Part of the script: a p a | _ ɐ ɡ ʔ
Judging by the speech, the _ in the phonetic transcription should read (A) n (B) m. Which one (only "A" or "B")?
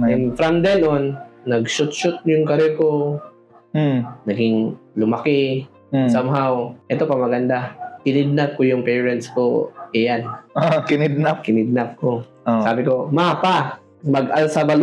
B